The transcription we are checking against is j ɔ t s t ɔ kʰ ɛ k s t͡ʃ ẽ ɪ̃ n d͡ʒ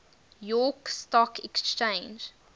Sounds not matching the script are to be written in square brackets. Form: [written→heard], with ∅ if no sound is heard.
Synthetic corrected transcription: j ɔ [t→k] s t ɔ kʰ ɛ k s t͡ʃ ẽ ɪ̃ n d͡ʒ